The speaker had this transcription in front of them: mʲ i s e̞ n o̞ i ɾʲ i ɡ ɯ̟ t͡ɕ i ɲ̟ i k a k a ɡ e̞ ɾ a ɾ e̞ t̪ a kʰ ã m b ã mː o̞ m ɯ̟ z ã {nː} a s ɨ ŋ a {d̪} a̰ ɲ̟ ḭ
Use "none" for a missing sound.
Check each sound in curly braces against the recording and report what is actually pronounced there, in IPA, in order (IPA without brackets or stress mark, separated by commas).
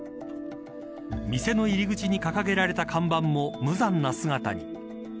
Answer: nː, t̪